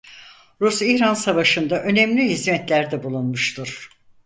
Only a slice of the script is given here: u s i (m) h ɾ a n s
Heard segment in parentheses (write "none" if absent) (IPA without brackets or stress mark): none